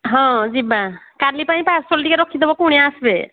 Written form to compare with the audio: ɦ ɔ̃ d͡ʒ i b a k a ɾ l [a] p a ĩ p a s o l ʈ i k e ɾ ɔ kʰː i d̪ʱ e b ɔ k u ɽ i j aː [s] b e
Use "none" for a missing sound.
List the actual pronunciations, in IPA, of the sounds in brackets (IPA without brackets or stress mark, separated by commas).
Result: i, s